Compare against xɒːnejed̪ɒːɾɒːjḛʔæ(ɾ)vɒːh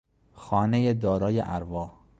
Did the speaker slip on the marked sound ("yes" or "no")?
no